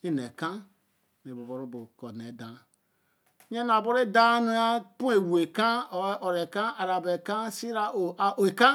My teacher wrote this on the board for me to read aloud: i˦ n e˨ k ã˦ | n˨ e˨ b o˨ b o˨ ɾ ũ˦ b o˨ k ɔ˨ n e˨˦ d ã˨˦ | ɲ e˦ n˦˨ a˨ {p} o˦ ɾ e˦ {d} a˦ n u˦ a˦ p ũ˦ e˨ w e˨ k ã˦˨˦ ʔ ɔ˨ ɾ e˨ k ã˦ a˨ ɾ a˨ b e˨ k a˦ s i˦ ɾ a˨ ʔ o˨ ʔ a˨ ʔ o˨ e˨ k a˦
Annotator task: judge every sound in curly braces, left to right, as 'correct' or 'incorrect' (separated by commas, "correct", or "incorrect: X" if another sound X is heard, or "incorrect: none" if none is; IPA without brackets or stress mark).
incorrect: b, correct